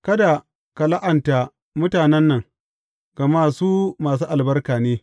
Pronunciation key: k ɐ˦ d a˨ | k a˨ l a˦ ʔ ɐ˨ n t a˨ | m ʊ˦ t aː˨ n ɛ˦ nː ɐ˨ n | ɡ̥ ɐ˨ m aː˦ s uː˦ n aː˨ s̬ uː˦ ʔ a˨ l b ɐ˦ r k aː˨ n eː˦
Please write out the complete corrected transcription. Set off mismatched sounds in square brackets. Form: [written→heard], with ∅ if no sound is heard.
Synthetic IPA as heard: k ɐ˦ d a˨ | k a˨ l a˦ ʔ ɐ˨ n t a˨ | m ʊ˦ t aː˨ n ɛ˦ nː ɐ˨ [n→ŋ] | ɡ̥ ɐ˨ m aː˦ s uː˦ [n→m] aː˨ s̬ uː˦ ʔ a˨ l b ɐ˦ r k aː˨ n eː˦

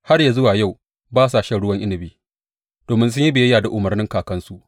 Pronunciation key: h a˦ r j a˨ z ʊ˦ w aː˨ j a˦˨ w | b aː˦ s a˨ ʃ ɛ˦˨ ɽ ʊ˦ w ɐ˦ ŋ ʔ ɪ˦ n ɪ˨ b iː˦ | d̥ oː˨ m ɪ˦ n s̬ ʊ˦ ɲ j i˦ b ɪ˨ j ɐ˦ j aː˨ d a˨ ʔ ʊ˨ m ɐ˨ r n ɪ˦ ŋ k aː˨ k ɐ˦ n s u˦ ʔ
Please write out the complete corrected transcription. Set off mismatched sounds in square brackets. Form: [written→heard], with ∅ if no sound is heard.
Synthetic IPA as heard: h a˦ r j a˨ z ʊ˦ w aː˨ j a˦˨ w | b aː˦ s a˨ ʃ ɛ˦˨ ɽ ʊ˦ w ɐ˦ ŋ ʔ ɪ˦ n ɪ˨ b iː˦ | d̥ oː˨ m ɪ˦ n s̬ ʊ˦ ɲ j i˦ b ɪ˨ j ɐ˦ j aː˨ d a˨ ʔ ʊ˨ m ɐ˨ r n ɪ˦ ŋ k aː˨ k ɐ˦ n s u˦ ʔ

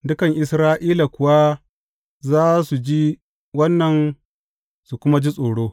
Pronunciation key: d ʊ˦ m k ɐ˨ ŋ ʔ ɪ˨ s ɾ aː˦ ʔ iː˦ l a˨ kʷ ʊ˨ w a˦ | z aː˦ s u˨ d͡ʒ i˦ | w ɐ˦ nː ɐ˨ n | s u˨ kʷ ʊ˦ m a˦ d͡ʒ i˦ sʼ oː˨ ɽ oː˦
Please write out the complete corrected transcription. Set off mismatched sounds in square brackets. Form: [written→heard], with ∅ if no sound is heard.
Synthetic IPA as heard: d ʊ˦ [m→∅] k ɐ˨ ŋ ʔ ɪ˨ s ɾ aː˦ ʔ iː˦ l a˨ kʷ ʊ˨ w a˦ | z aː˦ s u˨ d͡ʒ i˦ | w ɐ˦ nː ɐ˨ n | s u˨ kʷ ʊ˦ m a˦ d͡ʒ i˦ sʼ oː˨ ɽ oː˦

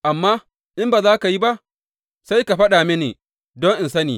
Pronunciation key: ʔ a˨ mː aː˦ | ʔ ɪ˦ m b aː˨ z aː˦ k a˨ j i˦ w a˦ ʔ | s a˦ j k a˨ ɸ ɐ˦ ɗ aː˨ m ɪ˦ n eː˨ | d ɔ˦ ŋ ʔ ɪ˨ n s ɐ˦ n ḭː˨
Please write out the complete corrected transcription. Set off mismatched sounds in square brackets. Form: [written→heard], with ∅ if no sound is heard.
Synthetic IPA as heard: ʔ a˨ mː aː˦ | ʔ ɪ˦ m b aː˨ z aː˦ k a˨ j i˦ [w→b] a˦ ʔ | s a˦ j k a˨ ɸ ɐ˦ ɗ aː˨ m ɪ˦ n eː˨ | d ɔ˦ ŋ ʔ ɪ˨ n s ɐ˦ n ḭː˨

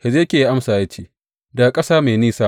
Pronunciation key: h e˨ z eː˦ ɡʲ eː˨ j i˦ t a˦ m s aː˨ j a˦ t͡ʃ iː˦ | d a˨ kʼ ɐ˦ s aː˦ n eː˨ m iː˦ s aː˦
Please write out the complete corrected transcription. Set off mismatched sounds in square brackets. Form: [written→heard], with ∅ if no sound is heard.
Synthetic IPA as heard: h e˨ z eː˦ [ɡʲ→kʲ] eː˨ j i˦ [t→ʔ] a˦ m s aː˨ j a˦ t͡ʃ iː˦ | d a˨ kʼ ɐ˦ s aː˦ [n→m] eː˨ [m→n] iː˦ s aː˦

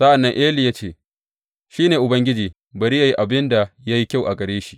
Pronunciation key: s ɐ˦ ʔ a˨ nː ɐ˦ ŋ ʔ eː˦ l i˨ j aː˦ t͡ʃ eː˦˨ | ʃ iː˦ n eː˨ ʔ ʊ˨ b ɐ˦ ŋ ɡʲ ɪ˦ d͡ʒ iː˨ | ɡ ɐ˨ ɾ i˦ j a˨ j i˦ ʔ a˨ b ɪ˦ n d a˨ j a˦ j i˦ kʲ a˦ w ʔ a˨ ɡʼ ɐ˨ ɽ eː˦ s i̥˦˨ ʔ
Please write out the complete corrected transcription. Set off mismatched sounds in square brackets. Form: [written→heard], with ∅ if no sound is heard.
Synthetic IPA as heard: s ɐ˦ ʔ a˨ nː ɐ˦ ŋ ʔ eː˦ l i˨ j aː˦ t͡ʃ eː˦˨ | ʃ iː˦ n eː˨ ʔ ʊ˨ b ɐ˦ ŋ ɡʲ ɪ˦ d͡ʒ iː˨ | [ɡ→b] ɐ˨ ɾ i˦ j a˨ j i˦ ʔ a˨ b ɪ˦ n d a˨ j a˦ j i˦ kʲ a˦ w ʔ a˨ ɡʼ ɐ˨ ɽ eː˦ [s→ʃ] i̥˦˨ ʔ

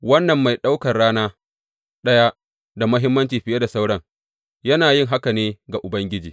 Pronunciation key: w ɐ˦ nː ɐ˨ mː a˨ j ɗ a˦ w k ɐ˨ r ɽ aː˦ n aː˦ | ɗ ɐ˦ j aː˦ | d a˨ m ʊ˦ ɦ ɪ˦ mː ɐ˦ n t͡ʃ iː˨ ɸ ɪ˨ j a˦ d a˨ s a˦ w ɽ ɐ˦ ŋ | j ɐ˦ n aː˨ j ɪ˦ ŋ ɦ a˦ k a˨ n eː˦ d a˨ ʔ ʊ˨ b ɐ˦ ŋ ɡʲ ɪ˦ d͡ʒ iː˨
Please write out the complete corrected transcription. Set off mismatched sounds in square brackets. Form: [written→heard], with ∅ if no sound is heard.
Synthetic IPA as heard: w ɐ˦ nː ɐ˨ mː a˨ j ɗ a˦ w k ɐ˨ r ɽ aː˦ n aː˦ | ɗ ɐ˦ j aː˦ | d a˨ m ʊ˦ ɦ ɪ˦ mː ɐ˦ n t͡ʃ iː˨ ɸ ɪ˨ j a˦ d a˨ s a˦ w ɽ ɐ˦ ŋ | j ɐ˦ n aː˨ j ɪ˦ ŋ ɦ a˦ k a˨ n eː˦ [d→ɡ] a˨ ʔ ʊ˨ b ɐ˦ ŋ ɡʲ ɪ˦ d͡ʒ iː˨

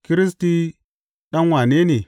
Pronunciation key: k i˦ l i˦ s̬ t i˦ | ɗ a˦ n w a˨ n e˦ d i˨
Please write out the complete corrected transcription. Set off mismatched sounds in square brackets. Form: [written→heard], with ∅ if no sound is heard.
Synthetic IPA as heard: k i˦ [l→ɾ] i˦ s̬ t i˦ | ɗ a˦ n w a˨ n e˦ [d→n] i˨

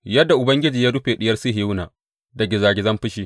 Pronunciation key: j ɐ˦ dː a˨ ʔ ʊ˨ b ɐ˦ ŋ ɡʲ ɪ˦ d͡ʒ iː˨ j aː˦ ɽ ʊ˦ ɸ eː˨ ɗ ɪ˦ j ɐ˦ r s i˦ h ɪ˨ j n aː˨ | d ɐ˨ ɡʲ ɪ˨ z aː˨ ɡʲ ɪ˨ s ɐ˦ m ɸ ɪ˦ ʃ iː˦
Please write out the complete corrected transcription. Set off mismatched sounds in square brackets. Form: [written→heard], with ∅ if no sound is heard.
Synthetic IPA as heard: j ɐ˦ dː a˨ ʔ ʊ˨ b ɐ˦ ŋ ɡʲ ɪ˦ d͡ʒ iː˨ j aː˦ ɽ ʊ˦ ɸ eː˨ ɗ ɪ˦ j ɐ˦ r s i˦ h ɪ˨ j n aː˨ | d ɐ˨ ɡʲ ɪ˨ z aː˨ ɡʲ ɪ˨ [s→z] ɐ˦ m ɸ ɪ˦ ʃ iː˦

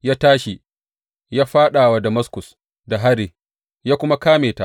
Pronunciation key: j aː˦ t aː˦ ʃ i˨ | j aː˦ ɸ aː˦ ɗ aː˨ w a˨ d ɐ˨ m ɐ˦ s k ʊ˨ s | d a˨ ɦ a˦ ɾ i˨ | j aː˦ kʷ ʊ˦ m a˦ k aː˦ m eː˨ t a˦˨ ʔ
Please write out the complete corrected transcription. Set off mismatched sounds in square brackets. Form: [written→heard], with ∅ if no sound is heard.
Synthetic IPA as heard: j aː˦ t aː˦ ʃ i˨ | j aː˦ ɸ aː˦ ɗ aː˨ w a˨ d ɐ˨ m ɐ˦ s k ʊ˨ s | d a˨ ɦ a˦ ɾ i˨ | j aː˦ kʷ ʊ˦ m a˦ k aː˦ m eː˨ t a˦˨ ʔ

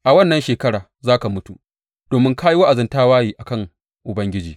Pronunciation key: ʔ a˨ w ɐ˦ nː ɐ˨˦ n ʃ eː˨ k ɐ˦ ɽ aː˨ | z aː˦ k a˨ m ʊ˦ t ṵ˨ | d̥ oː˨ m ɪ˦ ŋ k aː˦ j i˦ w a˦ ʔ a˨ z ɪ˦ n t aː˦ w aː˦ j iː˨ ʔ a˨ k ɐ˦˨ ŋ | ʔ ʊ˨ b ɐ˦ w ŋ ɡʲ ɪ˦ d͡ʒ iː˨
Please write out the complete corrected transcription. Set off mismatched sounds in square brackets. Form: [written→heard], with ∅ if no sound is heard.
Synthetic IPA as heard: ʔ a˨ w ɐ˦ nː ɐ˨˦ n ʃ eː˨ k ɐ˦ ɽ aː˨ | z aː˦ k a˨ m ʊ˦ t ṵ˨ | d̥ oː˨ m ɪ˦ ŋ k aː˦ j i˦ w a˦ ʔ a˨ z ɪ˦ n t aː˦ w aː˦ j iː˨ ʔ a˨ k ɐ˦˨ ŋ | ʔ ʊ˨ b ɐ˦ [w→∅] ŋ ɡʲ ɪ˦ d͡ʒ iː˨

